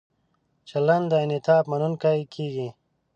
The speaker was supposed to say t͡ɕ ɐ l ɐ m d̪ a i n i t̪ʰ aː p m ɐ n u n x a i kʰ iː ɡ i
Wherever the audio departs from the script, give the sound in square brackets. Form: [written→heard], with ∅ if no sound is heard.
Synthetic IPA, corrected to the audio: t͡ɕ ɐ l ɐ [m→n] d̪ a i n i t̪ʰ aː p m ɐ n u n [x→k] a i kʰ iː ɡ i